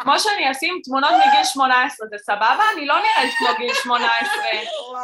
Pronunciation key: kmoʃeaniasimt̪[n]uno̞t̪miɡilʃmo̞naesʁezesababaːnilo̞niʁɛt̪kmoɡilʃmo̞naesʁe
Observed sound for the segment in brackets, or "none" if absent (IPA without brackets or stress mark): m